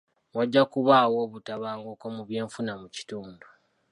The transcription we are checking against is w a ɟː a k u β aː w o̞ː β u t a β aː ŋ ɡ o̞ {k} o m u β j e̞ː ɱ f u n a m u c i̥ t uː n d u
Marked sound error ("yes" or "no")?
no